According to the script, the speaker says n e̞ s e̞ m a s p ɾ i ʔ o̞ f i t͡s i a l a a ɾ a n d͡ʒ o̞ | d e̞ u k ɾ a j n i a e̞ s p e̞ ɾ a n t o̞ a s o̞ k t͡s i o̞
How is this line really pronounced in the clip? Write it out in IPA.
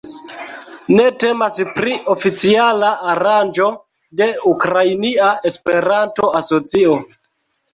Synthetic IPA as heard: n e̞ t e̞ m a s p ɾ i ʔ o̞ f i t͡s i a l a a ɾ a n d͡ʒ o̞ | d e̞ u k ɾ a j n i a e̞ s p e̞ ɾ a n t o̞ a s o̞ t͡s i o̞